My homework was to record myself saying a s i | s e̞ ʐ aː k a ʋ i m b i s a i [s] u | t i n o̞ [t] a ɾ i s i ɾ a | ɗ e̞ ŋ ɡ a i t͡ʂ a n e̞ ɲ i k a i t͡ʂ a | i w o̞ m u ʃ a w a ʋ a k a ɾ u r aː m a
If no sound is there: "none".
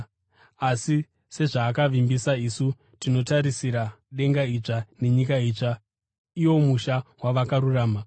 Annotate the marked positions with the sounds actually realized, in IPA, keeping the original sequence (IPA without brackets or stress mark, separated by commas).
s, t